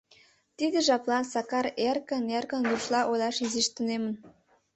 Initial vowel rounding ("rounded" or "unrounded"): unrounded